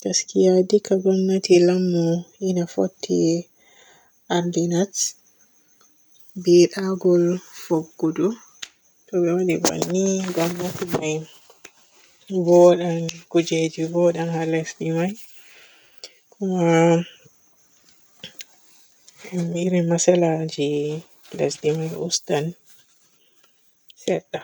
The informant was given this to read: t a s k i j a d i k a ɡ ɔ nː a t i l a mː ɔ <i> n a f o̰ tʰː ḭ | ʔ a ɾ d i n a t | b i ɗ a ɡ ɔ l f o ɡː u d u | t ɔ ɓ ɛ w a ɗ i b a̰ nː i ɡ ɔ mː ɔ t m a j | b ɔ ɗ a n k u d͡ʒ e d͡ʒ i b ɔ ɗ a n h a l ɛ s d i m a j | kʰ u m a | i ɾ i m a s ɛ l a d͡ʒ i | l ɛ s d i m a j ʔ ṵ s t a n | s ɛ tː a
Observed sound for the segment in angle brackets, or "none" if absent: i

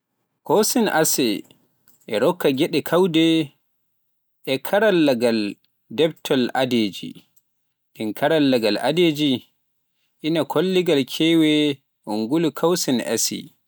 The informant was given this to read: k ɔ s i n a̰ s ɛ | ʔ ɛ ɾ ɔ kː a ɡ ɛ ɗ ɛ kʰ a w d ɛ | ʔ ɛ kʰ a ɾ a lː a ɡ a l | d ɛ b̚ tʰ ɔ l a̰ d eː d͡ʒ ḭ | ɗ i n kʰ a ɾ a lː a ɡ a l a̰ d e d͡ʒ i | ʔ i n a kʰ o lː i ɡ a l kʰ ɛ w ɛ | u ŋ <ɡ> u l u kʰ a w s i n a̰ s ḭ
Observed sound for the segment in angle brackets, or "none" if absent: ɡ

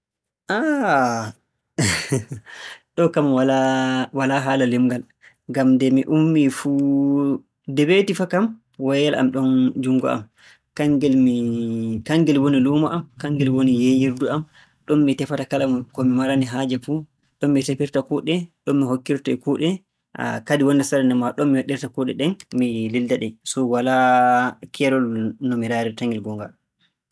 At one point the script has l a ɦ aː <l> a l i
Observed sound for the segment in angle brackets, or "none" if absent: l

